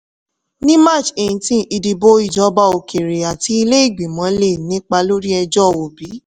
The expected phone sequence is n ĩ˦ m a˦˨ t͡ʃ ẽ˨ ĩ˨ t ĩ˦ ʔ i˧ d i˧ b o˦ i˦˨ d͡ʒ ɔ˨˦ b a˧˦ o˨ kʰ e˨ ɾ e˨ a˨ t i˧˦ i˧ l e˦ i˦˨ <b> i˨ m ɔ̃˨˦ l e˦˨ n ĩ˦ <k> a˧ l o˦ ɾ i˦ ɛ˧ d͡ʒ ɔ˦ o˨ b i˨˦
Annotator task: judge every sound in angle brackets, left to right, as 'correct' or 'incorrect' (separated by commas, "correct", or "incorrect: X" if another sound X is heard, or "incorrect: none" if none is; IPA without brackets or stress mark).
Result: incorrect: ɡ͡b, incorrect: k͡p